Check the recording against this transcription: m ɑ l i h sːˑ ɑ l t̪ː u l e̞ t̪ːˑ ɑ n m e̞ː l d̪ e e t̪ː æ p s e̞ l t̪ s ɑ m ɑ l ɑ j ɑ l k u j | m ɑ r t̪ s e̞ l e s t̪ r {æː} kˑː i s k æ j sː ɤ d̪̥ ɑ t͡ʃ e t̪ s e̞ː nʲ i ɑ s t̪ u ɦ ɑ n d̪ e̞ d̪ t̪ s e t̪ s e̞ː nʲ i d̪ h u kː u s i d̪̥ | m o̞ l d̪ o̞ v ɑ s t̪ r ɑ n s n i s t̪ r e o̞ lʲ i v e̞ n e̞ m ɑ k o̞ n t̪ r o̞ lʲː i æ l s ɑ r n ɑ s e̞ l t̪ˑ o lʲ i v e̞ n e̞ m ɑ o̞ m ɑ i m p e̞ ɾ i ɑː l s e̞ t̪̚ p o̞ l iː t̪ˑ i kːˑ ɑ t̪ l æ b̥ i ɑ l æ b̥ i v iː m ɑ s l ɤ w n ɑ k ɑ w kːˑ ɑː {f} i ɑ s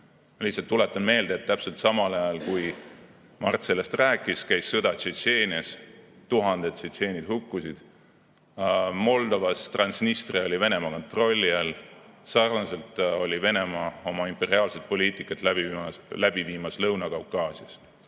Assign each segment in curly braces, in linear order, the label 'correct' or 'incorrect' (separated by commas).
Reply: correct, incorrect